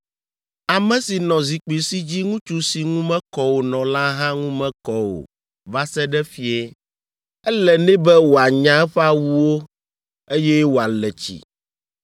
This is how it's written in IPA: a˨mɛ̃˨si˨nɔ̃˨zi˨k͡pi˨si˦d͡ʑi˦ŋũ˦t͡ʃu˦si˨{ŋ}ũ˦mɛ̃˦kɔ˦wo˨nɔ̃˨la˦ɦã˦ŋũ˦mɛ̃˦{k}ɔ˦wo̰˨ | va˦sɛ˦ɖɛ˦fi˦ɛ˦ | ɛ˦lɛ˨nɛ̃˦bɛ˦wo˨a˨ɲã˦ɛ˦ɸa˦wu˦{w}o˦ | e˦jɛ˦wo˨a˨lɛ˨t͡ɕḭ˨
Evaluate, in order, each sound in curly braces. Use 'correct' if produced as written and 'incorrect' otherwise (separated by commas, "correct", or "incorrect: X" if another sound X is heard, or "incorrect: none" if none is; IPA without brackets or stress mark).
correct, correct, correct